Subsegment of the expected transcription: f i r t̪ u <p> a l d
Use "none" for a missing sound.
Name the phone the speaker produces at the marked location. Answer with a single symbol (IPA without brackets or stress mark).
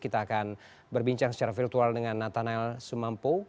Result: none